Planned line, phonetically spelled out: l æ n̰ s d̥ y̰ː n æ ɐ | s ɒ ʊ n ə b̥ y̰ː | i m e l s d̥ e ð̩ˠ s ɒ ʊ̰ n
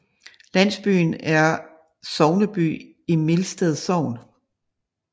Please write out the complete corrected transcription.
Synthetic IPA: l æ n̰ s b̥ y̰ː n æ ɐ | s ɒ ʊ n ə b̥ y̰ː | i m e l s d̥ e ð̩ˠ s ɒ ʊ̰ n

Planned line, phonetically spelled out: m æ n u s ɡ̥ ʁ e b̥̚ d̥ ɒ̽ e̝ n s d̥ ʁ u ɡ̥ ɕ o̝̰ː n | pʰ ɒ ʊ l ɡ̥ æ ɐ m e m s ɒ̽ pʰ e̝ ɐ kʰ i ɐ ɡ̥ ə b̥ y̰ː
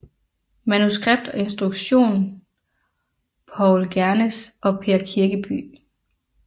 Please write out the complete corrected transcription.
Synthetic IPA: m æ n u s ɡ̥ ʁ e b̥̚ d̥ ɒ̽ e̝ n s d̥ ʁ u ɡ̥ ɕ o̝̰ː n | pʰ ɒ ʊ l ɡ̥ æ ɐ n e s ɒ̽ pʰ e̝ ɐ kʰ i ɐ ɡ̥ ə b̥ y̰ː

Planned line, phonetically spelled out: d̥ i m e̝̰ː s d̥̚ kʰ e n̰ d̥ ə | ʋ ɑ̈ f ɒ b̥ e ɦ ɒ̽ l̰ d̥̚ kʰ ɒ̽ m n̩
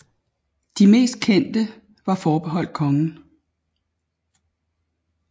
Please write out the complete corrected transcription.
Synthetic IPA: d̥ i m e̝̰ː s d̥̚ kʰ e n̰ d̥ ə | ʋ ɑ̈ f ɒː b̥ e ɦ ɒ̽ l̰ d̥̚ kʰ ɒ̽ ŋ n̩

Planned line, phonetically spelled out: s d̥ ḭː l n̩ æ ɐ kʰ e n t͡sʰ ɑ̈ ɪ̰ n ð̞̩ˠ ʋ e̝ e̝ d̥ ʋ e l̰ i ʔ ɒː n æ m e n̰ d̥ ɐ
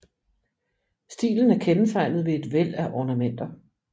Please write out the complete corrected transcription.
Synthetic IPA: s d̥ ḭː l n̩ æ ɐ kʰ e n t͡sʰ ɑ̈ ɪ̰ n ð̞̩ˠ ʋ e̝ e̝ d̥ ʋ e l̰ æ ʔ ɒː n æ m e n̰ d̥ ɐ

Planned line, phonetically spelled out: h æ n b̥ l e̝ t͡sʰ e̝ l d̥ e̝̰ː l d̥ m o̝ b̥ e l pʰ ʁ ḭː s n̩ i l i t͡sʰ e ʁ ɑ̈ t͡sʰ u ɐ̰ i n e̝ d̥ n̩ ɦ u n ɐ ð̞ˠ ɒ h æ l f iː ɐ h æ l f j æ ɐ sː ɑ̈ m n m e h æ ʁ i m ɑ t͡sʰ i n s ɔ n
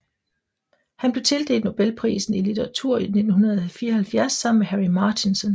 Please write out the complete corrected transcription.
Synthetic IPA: h æ n b̥ l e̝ t͡sʰ e̝ l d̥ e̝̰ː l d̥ n o̝ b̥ e l pʰ ʁ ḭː s n̩ i l i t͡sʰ e ʁ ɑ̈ t͡sʰ u ɐ̰ i n e̝ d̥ n̩ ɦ u n ɐ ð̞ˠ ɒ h æ l f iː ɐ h æ l f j æ ɐ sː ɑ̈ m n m e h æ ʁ i m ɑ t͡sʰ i n s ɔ n

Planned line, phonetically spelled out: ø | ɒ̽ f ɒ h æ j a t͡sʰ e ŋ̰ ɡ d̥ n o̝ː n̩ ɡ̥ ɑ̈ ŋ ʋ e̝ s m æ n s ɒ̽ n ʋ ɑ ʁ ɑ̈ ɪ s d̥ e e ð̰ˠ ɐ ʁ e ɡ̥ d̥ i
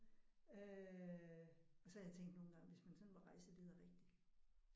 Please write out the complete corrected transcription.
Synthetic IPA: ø | ɒ̽ s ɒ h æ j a t͡sʰ e ŋ̰ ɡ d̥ n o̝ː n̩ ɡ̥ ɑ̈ ŋ ʋ e̝ s m æ n s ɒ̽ n ʋ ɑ ʁ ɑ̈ ɪ s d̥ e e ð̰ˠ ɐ ʁ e ɡ̥ d̥ i

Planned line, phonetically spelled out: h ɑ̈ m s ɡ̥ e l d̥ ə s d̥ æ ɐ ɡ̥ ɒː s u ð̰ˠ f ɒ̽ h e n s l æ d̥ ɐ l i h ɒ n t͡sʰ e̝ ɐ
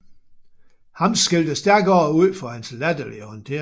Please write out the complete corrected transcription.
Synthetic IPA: h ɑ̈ m s ɡ̥ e l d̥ ə s d̥ æ ɐ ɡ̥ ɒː u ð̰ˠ f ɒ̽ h æ n s l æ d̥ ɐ l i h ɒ n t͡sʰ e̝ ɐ

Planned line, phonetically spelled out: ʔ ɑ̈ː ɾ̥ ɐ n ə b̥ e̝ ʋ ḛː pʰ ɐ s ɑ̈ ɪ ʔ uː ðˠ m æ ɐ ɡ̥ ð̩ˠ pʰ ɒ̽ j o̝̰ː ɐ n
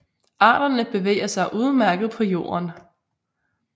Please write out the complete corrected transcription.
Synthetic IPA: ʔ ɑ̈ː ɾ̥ ɐ n ə b̥ e̝ ʋ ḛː ɐ s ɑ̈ ɪ ʔ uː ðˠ m æ ɐ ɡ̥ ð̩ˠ pʰ ɒ̽ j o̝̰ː ɐ n

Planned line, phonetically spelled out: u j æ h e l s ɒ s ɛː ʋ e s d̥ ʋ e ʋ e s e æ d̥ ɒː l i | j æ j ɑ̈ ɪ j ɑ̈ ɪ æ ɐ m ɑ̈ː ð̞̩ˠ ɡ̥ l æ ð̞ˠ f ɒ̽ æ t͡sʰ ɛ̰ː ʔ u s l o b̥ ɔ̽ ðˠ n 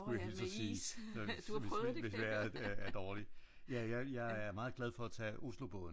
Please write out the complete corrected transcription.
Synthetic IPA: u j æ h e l s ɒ s iː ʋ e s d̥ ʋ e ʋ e s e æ d̥ ɒː l i | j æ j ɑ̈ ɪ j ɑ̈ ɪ æ ɐ m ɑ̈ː ð̞̩ˠ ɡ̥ l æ ð̞ˠ f ɒ̽ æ t͡sʰ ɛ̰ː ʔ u s l o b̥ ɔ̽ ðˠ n

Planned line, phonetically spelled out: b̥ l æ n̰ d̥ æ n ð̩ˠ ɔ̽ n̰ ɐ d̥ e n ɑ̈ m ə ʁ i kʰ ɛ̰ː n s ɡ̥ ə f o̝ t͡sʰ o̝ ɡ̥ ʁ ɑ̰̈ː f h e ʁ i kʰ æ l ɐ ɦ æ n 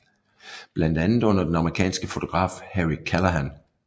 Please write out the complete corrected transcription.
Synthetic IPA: b̥ l æ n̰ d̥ æ n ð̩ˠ ɔ̽ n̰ ɐ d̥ e n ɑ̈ m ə ʁ i kʰ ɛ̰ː n s ɡ̥ ə f o̝ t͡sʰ o̝ ɡ̥ ʁ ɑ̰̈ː f h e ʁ i kʰ æ l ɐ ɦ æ n

